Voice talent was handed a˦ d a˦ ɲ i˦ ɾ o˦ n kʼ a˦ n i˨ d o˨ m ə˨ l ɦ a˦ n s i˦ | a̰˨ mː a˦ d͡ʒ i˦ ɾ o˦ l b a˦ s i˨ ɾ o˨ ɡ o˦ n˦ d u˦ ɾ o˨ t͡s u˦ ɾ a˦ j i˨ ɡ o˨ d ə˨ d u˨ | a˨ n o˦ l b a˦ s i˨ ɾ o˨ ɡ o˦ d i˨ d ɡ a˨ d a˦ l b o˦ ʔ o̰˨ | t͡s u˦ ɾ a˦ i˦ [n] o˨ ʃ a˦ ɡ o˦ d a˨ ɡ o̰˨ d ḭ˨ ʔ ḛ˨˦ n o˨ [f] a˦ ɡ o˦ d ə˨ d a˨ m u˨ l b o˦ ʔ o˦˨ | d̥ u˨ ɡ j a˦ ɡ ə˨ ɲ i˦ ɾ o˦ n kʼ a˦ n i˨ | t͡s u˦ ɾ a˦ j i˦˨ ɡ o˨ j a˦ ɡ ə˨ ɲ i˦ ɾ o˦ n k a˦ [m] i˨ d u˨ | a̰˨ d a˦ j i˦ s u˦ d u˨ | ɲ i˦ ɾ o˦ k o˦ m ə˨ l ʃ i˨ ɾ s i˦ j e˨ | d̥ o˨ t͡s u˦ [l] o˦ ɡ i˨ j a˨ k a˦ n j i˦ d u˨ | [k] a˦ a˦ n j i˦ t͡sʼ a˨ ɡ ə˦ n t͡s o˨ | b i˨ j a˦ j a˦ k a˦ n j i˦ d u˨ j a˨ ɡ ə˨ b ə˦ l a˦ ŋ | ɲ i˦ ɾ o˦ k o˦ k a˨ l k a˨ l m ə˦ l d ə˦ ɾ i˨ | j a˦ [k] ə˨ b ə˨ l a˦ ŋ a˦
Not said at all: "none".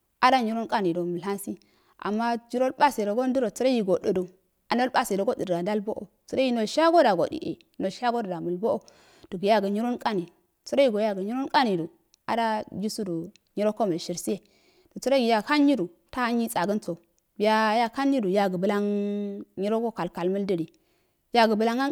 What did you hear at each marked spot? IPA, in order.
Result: n, ʃ, n, ɾ, t, ɡ

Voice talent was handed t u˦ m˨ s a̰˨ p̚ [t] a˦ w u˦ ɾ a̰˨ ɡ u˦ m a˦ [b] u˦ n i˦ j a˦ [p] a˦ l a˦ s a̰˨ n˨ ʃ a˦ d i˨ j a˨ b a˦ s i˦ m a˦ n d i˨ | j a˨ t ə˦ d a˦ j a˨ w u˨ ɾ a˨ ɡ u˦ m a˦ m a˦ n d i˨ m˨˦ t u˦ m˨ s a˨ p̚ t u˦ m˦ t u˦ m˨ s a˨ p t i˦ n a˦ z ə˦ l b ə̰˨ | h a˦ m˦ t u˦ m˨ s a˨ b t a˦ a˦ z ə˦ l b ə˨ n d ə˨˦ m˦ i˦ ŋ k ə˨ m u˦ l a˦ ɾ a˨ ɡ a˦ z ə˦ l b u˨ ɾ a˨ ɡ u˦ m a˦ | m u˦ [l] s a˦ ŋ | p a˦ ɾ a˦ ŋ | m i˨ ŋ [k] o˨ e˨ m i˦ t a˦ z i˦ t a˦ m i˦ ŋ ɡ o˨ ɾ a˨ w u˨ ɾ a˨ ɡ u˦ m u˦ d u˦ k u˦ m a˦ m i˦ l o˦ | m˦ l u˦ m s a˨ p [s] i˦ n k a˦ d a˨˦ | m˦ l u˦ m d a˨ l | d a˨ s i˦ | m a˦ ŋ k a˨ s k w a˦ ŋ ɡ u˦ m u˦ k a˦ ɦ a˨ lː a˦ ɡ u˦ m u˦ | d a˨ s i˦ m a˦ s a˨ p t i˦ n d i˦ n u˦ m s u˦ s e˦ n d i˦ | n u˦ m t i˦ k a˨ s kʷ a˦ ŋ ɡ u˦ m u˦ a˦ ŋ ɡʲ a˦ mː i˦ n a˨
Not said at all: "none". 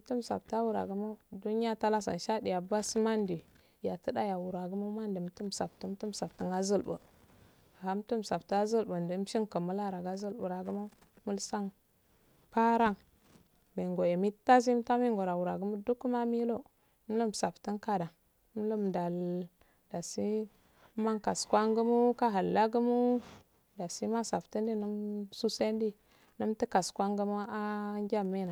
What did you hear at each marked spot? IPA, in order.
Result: t, d, t, l, ɡ, t

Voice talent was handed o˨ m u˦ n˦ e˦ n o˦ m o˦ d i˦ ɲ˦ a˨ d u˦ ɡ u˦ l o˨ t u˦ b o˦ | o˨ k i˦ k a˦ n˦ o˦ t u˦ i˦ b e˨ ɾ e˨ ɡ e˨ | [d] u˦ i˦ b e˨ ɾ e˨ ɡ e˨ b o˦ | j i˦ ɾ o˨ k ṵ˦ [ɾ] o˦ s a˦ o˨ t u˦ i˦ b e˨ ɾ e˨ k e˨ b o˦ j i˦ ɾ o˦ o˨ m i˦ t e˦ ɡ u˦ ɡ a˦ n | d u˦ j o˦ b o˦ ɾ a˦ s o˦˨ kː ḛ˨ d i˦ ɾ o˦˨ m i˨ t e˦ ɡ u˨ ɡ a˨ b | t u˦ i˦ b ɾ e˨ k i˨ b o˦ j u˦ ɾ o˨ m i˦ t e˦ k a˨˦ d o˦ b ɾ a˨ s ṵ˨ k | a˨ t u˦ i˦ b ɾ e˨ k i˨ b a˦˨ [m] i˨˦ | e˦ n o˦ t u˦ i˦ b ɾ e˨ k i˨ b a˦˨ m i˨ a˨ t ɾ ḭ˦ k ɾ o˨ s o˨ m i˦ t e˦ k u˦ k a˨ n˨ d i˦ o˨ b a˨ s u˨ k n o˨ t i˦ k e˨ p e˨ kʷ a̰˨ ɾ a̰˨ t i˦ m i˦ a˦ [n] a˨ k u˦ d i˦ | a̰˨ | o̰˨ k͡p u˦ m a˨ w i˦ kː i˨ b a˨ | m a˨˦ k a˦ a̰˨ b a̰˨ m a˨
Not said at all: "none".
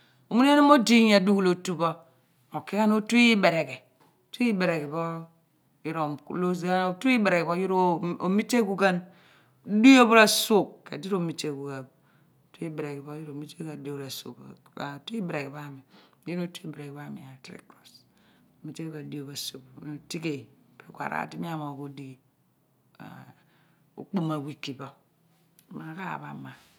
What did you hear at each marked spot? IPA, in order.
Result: t, l, m, m

